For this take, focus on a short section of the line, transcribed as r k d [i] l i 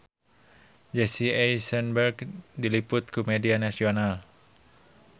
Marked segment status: correct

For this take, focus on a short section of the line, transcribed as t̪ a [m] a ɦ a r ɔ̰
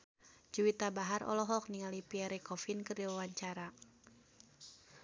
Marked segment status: incorrect: b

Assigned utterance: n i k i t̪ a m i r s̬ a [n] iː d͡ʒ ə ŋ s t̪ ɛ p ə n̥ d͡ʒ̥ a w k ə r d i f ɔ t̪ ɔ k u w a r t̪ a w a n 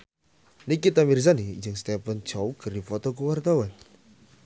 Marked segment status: correct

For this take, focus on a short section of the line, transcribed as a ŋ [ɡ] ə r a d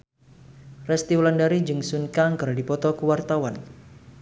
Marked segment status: incorrect: k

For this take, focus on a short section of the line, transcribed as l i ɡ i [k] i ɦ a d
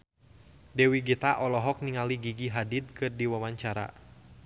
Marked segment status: incorrect: ɡ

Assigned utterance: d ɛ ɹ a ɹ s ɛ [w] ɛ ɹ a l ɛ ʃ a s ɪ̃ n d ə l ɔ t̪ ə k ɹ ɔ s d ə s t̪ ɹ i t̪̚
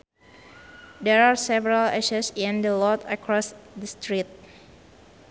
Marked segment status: incorrect: v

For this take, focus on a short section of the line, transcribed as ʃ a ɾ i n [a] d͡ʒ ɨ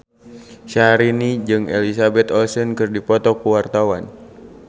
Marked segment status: incorrect: i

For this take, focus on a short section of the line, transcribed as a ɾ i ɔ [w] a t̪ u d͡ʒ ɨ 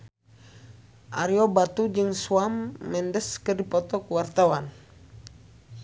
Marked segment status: incorrect: b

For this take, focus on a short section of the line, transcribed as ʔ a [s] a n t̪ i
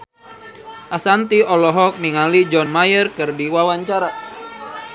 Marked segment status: correct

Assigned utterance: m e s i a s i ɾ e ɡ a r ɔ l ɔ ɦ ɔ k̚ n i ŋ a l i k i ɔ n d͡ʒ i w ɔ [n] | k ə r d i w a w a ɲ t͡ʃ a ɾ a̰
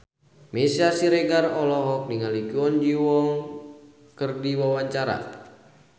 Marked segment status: incorrect: ŋ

